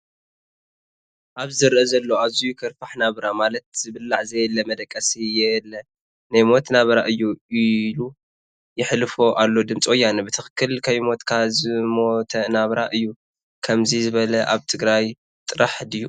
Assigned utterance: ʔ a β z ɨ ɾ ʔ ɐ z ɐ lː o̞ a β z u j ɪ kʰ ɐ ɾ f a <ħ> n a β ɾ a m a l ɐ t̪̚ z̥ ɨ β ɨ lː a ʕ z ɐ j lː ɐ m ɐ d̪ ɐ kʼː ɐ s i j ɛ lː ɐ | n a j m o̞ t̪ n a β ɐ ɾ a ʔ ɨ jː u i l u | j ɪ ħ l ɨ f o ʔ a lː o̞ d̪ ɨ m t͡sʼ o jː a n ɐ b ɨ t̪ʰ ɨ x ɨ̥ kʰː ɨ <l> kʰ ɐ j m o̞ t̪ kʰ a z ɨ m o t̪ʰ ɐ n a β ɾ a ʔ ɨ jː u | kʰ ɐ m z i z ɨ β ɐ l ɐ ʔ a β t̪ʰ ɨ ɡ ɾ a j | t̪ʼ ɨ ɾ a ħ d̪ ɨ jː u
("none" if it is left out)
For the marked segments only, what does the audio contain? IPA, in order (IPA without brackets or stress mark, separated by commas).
ħ, l